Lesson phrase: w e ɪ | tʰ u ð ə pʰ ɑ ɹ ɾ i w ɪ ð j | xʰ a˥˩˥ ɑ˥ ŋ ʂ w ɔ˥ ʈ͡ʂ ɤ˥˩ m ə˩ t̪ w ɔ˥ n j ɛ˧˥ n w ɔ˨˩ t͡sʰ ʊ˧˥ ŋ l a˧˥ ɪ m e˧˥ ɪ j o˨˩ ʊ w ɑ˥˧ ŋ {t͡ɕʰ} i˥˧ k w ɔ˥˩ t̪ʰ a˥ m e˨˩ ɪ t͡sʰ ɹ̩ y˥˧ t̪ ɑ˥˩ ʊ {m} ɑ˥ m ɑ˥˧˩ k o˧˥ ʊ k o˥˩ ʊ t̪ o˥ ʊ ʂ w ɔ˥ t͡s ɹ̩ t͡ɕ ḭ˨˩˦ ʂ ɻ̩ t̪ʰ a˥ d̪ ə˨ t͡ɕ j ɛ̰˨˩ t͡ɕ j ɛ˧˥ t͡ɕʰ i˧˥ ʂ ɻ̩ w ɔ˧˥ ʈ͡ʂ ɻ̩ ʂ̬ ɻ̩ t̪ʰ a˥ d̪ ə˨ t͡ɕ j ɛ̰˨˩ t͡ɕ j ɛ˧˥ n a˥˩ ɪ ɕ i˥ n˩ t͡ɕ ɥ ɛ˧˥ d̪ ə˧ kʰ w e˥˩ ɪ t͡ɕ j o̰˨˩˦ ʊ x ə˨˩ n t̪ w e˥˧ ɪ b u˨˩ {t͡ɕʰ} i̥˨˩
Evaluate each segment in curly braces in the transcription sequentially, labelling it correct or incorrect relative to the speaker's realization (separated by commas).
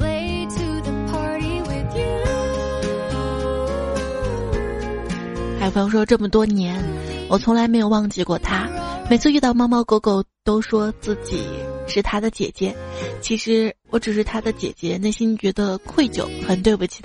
incorrect, correct, correct